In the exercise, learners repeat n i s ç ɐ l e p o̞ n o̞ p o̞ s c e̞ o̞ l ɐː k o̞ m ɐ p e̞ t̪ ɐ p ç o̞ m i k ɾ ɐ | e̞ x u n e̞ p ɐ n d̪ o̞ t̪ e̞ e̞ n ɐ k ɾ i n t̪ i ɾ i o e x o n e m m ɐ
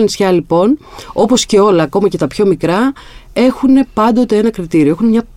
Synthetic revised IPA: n i s ç ɐ l i p o̞ n o̞ p o̞ s c e̞ o̞ l ɐː k o̞ m ɐ c e̞ t̪ ɐ p ç o̞ m i k ɾ ɐ | e̞ x u n e̞ p ɐ n d̪ o̞ t̪ e̞ e̞ n ɐ k ɾ i t̪ i ɾ i o e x u n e m ɲ ɐ